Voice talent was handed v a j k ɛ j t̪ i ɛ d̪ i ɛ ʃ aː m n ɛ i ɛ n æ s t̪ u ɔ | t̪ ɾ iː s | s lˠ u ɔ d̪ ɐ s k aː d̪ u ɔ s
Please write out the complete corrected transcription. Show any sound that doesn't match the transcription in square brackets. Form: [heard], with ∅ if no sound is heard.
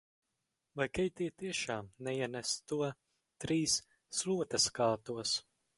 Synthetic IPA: v a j k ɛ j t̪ i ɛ [t̪] i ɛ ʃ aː m n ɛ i ɛ n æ s t̪ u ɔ | t̪ ɾ iː s | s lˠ u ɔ [t̪] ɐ s k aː [t̪] u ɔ s